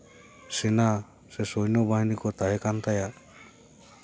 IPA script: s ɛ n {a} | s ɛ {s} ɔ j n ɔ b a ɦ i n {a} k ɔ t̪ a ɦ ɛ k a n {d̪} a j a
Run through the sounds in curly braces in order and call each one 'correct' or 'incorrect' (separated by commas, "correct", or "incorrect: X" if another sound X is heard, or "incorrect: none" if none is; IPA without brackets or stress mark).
correct, correct, incorrect: i, incorrect: t̪